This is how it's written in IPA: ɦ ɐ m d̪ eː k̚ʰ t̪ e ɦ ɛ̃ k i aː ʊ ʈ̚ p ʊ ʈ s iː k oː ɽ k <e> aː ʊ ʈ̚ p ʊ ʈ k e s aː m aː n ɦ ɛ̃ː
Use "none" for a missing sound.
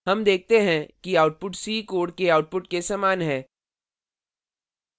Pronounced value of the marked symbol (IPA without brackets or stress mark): e